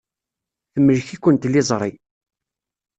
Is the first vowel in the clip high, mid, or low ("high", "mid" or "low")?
mid